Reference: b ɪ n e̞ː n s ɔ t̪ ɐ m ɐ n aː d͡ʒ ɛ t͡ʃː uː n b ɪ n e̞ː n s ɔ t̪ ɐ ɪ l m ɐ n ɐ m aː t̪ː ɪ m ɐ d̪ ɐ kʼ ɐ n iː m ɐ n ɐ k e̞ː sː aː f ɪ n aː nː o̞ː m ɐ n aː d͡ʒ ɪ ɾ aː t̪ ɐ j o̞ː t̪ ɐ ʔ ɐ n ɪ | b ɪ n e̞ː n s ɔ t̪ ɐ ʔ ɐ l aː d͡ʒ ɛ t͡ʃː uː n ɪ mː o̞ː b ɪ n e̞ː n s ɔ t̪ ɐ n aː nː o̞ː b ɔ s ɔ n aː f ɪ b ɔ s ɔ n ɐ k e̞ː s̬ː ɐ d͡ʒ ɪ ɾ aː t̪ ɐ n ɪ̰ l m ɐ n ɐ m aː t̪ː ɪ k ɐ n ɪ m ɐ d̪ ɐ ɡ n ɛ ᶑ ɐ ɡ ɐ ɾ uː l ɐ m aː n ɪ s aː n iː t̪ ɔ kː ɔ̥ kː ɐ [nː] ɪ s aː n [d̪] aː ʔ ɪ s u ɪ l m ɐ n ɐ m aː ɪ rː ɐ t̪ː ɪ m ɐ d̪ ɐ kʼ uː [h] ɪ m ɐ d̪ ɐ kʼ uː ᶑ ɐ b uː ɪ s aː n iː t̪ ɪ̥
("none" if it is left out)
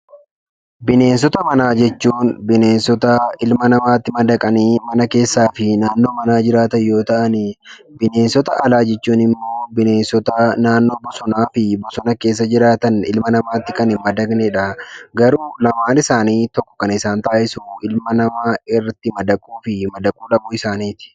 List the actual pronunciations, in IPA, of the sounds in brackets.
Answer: n, t̪, f

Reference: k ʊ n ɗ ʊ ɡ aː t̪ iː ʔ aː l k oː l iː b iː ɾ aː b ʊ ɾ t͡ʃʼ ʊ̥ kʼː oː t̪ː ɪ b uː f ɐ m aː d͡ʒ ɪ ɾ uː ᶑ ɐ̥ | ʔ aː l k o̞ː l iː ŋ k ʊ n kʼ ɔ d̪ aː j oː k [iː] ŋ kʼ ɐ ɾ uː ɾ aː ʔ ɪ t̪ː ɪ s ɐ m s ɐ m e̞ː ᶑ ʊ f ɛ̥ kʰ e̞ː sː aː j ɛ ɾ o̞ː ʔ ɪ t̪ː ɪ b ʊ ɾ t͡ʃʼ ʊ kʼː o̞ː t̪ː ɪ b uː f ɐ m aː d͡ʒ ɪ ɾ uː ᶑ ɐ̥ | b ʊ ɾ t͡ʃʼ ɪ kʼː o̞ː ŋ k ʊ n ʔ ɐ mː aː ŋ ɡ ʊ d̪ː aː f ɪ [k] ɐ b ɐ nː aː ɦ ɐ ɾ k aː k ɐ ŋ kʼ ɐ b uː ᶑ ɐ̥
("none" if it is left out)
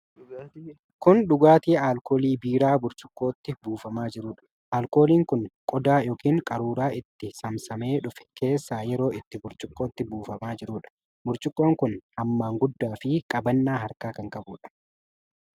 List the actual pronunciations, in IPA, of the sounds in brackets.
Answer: iː, kʼ

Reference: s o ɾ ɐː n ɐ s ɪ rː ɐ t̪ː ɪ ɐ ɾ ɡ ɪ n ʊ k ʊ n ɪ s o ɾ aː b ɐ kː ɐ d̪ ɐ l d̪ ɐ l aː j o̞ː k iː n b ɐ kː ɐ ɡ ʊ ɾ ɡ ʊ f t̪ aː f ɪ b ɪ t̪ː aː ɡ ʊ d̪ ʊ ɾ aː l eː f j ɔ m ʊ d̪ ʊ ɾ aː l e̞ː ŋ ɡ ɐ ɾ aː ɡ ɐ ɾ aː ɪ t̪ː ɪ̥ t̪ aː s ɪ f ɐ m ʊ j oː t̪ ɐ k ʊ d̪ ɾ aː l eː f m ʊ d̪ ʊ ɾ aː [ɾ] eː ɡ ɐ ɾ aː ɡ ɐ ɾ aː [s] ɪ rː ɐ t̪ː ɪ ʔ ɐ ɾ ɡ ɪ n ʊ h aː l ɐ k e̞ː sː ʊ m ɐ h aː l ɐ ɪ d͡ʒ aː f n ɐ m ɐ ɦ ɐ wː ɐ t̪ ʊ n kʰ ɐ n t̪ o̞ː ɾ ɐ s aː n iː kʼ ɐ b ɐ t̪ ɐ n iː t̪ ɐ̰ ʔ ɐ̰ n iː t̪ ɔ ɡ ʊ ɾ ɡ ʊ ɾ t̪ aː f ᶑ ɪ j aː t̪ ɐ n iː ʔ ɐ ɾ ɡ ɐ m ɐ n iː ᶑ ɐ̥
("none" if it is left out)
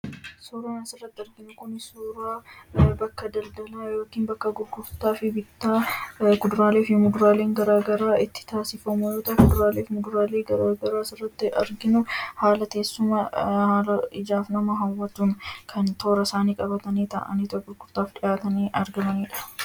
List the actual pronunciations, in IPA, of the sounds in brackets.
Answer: l, s

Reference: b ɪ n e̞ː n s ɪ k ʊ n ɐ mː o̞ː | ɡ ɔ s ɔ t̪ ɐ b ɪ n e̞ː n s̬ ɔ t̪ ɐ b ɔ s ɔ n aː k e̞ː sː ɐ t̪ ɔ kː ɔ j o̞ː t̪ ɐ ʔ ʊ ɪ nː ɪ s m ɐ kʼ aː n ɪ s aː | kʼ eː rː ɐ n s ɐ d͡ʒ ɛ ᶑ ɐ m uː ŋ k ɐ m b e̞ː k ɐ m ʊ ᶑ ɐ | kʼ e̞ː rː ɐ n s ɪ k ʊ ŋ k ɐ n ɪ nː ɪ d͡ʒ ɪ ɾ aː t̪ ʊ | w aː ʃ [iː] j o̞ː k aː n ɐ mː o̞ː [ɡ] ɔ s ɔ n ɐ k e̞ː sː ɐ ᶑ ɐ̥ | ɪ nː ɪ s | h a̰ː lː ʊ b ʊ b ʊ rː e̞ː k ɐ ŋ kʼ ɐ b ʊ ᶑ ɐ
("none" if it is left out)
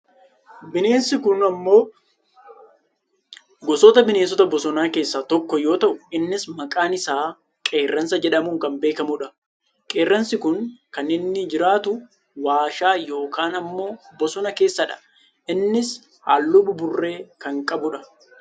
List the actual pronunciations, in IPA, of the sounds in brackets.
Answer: aː, b

